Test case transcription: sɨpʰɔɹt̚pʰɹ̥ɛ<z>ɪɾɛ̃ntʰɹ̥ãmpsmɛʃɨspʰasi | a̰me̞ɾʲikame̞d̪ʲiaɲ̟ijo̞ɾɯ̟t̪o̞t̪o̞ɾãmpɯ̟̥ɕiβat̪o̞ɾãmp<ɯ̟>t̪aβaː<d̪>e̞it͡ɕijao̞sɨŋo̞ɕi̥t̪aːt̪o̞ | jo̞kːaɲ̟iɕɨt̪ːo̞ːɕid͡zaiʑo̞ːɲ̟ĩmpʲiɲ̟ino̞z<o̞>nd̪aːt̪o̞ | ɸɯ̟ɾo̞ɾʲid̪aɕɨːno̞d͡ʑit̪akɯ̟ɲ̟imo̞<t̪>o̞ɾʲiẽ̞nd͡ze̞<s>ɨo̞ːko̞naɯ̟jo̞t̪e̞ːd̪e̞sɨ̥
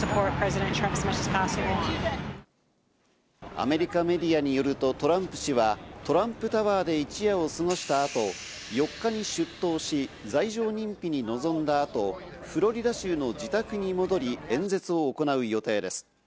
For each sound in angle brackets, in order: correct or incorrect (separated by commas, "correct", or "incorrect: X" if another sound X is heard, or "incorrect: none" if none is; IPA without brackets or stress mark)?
correct, correct, correct, incorrect: õ̞, incorrect: d̪, incorrect: t͡s